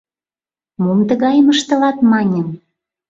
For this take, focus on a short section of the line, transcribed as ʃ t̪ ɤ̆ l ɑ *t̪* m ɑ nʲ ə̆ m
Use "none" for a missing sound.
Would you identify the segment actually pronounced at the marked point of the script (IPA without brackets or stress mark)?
t̪